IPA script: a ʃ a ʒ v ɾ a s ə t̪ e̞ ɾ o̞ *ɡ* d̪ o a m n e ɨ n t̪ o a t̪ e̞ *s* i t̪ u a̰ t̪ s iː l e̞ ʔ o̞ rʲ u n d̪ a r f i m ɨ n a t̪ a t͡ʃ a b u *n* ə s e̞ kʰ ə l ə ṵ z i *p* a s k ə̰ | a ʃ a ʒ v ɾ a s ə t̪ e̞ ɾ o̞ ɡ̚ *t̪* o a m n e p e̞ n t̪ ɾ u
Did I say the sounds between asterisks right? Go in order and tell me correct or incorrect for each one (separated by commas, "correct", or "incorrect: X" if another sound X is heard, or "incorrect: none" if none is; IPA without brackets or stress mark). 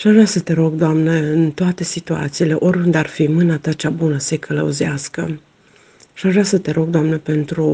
correct, correct, correct, incorrect: none, incorrect: d̪